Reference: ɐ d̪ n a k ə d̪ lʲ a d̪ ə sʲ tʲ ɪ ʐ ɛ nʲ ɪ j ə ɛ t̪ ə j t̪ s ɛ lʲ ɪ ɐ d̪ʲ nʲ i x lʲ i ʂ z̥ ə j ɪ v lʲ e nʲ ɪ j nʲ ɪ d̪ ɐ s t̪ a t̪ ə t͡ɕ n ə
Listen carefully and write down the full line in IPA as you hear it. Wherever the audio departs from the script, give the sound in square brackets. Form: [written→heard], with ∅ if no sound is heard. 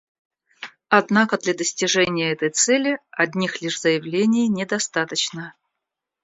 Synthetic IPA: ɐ d̪ n a k ə d̪ lʲ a d̪ ə sʲ tʲ ɪ ʐ ɛ nʲ ɪ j ə ɛ t̪ ə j t̪ s ɛ lʲ ɪ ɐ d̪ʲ nʲ i x lʲ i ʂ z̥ ə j ɪ v lʲ e nʲ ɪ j nʲ ɪ d̪ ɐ s t̪ a t̪ ə t͡ɕ n ə